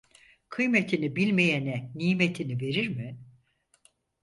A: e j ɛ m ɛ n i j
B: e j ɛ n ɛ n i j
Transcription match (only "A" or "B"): B